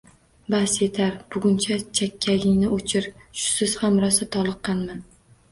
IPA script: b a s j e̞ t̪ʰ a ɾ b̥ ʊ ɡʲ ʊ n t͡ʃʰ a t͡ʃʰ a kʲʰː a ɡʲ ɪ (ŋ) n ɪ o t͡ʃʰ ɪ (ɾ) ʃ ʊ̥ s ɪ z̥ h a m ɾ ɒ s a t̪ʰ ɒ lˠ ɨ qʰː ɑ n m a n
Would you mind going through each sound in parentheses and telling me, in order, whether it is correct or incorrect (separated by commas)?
correct, correct